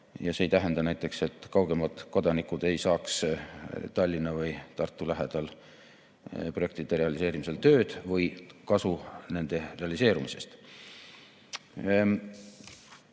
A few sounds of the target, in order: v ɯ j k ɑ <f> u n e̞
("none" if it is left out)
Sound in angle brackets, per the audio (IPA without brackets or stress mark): s